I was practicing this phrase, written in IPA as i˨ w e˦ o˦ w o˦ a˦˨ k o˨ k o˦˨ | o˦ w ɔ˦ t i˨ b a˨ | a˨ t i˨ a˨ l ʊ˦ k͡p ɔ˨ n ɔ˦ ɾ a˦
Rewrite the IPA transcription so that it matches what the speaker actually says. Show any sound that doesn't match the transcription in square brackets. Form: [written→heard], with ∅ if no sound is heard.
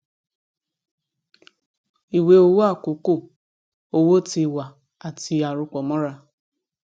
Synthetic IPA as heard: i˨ w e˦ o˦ w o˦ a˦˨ k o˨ k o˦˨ | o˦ w [ɔ˦→o˦] t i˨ [b→w] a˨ | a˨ t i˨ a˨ [l→ɾ] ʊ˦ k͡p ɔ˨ [n→m] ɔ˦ ɾ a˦